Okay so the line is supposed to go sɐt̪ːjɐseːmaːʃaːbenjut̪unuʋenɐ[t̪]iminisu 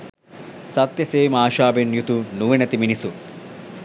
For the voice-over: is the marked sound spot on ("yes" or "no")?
yes